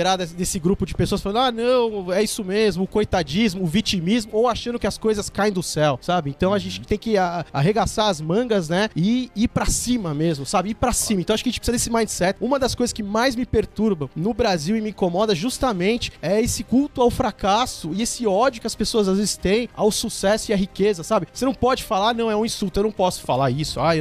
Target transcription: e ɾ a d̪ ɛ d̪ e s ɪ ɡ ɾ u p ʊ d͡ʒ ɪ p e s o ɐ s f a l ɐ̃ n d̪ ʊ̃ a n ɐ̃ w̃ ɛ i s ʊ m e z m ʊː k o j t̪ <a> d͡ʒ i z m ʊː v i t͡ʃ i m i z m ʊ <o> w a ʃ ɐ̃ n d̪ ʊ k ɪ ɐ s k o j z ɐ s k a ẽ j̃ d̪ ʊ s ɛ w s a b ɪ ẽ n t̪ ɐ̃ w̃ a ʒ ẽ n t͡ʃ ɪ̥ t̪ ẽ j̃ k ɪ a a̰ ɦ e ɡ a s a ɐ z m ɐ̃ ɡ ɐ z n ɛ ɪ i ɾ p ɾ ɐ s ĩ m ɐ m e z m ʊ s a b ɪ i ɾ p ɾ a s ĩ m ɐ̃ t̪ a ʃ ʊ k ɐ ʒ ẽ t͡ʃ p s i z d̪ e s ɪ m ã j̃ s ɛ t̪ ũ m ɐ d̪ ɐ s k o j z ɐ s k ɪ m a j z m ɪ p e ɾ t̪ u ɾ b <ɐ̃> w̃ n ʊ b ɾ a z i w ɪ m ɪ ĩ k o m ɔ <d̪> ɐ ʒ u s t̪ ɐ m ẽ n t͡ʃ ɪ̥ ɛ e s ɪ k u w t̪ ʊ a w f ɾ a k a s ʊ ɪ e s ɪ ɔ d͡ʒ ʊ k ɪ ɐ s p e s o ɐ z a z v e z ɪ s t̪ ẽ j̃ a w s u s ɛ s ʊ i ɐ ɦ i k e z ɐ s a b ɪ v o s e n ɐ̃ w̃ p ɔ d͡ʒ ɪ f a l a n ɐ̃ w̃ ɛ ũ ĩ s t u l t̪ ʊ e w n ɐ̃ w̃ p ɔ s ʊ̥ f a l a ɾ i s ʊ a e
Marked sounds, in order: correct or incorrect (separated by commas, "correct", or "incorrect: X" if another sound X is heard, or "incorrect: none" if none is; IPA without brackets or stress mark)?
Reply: correct, correct, correct, correct